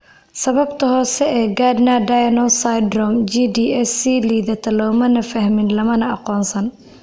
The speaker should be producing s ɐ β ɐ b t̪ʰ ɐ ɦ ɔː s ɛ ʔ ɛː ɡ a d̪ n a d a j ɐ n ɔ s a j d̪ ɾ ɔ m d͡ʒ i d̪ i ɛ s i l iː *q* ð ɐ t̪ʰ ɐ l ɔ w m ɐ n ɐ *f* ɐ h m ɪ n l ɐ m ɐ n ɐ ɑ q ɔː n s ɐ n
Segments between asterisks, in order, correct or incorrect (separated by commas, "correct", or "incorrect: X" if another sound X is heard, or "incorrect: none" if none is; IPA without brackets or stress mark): incorrect: none, correct